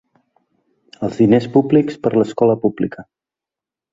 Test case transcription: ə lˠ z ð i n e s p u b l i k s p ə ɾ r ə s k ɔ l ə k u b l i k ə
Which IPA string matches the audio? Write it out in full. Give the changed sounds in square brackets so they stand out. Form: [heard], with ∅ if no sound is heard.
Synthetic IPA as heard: ə lˠ z ð i n e s p u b l i k s p ə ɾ [l] ə s k ɔ l ə [p] u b l i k ə